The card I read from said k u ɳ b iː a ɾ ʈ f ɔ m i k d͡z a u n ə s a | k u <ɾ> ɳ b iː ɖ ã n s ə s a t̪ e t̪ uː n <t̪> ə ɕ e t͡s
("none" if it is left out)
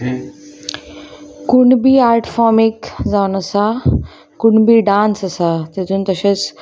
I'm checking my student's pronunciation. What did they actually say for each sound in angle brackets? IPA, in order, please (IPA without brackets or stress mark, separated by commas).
none, t̪